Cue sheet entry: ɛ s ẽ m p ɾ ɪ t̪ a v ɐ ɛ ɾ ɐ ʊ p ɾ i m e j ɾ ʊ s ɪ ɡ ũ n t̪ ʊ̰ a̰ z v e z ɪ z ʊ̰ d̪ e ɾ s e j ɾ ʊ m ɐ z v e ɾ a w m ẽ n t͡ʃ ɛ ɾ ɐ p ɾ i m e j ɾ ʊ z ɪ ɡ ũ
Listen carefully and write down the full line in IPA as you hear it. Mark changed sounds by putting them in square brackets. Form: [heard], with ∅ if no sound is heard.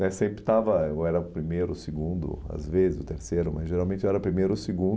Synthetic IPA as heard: ɛ s ẽ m p ɾ ɪ t̪ a v ɐ ɛ ɾ ɐ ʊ p ɾ i m e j ɾ ʊ s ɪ ɡ ũ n [d̪] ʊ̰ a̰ z v e z ɪ z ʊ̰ [t̪] e ɾ s e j ɾ ʊ m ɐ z [ʒ] e ɾ a w m ẽ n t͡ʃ ɛ ɾ ɐ p ɾ i m e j ɾ ʊ [s] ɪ ɡ ũ